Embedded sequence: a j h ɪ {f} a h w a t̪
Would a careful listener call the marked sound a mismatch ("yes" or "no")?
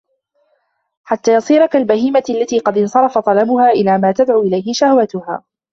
yes